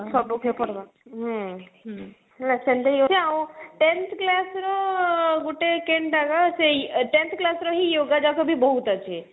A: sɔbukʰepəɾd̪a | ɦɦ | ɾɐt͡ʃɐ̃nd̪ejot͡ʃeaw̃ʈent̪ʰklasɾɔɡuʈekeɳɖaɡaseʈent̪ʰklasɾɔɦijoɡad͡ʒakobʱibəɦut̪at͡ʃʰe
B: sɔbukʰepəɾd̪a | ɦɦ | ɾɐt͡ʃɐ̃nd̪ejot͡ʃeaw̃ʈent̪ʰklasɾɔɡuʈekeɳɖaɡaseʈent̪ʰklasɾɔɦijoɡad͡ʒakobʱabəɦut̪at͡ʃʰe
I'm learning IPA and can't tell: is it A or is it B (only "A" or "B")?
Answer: A